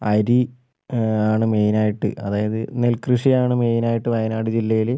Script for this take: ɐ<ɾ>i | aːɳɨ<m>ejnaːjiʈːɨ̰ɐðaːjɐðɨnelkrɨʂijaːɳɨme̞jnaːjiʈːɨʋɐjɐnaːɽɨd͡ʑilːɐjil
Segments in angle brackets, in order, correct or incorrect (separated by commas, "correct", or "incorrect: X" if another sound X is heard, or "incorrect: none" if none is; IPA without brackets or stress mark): correct, correct